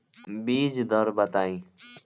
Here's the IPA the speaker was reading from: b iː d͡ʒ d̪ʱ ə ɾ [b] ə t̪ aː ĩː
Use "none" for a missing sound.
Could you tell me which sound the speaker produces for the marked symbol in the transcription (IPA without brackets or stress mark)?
b